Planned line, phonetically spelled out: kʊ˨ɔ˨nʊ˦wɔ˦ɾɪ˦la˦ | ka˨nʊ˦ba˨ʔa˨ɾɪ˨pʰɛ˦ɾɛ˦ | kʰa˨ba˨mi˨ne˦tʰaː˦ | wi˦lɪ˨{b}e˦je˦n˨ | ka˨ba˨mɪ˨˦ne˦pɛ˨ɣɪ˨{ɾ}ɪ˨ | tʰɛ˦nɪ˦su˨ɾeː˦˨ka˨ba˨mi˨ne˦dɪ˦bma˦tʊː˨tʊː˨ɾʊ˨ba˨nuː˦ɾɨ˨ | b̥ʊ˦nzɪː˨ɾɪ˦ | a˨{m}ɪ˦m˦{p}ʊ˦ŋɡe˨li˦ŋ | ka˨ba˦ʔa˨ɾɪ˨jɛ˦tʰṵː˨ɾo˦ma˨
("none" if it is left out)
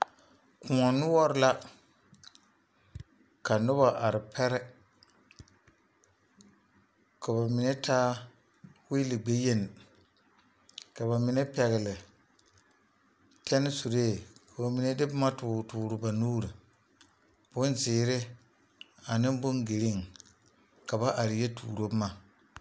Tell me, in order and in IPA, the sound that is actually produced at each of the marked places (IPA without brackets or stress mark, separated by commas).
ɡ͡b, l, n, b